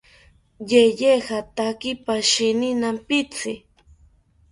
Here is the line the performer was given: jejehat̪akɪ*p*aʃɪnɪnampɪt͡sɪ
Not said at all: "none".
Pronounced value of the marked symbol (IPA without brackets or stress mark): p